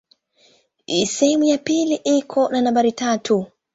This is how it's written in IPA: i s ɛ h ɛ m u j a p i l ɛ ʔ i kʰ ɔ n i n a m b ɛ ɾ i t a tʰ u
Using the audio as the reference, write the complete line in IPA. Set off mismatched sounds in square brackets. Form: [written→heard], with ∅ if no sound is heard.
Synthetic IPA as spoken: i s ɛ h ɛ m u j a p i l [ɛ→i] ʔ i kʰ ɔ n [i→a] n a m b [ɛ→a] ɾ i t a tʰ u